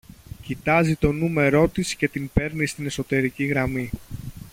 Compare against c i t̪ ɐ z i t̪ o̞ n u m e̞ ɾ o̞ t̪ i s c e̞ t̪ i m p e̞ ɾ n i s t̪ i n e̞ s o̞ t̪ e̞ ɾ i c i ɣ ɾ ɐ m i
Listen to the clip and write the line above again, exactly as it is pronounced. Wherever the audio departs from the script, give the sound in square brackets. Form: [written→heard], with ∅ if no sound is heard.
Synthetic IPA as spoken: c i t̪ ɐ z i t̪ o̞ n u m e̞ ɾ o̞ t̪ i s c e̞ t̪ i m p e̞ ɾ n i s t̪ i n e̞ s o̞ t̪ e̞ ɾ i c i ɣ ɾ ɐ m i